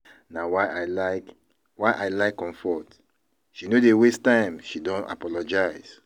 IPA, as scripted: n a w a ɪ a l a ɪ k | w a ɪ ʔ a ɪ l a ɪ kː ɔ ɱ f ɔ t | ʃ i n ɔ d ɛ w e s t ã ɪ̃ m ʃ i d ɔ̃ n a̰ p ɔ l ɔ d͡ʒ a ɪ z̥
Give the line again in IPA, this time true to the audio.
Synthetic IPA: n a w a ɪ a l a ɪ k | w a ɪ ʔ a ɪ l a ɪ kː ɔ̃ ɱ f ɔ t | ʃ i n o d e w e s t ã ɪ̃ m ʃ i d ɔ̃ n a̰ p ɔ l ɔ d͡ʒ a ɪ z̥